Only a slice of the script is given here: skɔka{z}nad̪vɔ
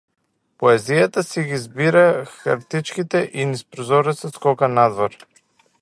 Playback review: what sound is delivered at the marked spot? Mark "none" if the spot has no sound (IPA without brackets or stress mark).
none